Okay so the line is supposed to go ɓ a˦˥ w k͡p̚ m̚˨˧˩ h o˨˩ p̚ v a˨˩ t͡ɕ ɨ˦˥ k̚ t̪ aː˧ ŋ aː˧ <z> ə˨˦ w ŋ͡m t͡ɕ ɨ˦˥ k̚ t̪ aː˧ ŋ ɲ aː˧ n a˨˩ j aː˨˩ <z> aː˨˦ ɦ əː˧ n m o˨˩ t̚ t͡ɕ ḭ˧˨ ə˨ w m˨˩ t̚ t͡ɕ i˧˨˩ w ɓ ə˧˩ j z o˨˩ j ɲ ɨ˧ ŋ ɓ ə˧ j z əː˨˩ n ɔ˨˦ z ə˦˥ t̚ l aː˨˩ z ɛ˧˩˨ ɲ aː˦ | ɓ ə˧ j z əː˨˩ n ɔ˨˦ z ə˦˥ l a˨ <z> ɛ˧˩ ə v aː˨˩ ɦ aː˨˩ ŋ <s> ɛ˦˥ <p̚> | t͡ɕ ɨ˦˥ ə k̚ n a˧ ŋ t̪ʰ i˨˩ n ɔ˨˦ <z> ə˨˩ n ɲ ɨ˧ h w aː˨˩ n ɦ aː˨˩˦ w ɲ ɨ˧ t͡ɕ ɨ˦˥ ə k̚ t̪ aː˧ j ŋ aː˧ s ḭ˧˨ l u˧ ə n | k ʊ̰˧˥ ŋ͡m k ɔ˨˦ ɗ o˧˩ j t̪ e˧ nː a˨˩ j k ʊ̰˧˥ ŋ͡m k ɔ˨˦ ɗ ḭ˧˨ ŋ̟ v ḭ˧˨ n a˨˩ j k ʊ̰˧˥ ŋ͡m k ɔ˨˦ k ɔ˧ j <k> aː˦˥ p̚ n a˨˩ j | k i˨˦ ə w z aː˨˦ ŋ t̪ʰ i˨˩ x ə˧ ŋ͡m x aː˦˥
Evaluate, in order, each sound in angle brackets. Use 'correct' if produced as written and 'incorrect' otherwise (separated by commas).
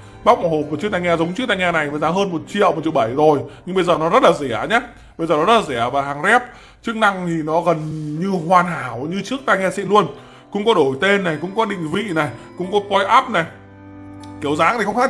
correct, correct, correct, incorrect, correct, incorrect, incorrect